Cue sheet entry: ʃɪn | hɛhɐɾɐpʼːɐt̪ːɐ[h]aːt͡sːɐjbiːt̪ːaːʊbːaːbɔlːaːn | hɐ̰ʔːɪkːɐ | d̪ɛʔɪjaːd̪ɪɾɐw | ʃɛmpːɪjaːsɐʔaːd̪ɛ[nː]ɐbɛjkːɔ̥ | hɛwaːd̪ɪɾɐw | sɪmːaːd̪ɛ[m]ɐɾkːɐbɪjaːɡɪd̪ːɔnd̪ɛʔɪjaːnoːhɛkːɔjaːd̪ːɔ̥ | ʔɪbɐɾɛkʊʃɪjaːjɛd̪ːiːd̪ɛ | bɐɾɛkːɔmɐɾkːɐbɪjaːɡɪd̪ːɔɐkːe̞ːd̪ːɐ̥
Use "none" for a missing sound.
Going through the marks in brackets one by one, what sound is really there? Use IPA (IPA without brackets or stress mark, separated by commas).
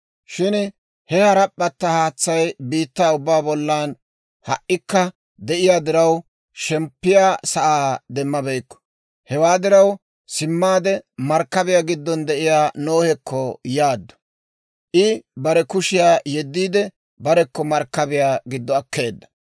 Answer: h, mː, m